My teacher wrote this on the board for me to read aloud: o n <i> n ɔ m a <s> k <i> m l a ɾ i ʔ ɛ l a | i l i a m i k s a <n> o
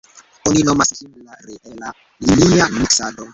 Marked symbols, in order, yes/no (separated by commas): yes, yes, yes, no